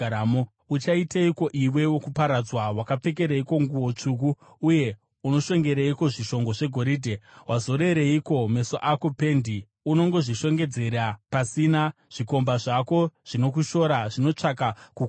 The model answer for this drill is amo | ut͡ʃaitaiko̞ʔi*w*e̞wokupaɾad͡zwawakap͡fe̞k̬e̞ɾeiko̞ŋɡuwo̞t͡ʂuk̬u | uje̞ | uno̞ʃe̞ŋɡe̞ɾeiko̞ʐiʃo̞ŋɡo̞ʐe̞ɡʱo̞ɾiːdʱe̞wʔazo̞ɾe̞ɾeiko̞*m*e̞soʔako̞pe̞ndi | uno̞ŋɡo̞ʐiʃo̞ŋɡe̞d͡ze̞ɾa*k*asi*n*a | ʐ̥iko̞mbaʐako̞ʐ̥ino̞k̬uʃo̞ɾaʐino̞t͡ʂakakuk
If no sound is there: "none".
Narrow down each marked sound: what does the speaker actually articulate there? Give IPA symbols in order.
w, m, p, n

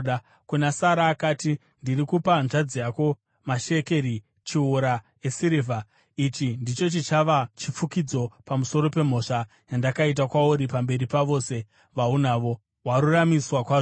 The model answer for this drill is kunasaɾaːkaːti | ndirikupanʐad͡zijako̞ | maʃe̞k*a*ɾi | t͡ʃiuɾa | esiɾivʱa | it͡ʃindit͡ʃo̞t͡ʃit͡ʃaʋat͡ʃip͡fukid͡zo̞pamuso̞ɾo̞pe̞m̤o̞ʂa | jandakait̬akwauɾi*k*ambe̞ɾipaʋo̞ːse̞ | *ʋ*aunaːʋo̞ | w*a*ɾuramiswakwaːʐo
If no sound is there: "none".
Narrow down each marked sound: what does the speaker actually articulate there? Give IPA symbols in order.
e, p, ʋ, a

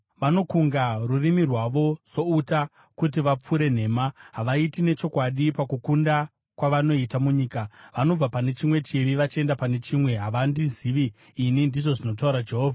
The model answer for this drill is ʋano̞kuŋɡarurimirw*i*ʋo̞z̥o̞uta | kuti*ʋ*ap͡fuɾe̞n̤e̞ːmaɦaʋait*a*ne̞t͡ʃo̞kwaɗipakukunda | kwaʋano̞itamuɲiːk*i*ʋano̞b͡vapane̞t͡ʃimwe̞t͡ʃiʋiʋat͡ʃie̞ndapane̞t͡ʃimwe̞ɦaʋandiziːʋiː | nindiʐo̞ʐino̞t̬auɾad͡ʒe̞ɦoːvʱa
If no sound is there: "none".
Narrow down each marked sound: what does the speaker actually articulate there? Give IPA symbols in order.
a, ʋ, i, a

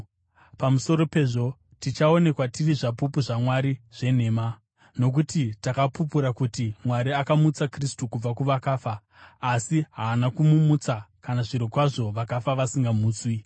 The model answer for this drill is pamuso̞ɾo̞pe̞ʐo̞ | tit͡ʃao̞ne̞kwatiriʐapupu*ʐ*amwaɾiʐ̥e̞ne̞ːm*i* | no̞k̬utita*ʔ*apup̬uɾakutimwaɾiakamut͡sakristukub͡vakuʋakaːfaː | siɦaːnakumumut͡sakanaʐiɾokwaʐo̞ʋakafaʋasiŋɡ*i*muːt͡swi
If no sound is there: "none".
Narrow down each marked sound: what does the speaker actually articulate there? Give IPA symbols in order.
ʐ, a, k, a

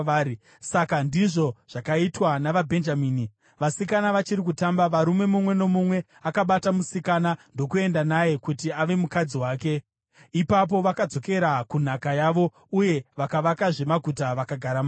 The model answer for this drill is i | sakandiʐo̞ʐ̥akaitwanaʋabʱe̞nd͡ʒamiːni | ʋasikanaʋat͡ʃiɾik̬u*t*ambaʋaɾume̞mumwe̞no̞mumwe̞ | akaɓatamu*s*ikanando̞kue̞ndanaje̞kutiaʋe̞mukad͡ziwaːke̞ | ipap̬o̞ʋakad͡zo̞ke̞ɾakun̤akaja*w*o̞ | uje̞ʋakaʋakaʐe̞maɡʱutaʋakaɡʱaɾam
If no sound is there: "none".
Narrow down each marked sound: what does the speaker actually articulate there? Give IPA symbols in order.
t, s, ʋ

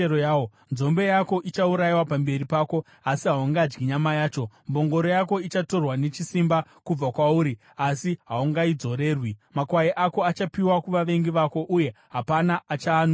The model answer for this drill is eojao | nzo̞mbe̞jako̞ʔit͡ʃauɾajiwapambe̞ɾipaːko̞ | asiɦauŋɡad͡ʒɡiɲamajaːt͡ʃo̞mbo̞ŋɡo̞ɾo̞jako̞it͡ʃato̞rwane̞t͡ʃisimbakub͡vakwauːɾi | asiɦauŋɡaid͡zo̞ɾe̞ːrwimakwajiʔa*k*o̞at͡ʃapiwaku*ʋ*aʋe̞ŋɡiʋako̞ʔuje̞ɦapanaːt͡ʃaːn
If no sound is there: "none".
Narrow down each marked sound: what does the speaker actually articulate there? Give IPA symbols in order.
k, ʋ

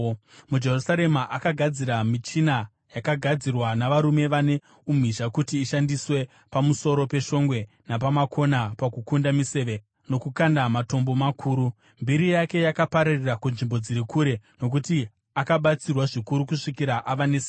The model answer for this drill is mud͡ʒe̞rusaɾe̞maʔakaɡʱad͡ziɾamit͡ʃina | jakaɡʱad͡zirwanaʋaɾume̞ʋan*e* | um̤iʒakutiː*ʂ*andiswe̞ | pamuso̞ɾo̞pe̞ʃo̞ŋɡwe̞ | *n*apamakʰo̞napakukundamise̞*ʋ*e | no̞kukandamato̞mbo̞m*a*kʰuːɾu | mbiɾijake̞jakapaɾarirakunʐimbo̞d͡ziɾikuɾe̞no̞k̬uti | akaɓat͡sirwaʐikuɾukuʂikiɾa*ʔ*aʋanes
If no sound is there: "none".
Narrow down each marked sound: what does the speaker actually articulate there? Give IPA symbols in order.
e, ʃ, n, ʋ, a, ʔ

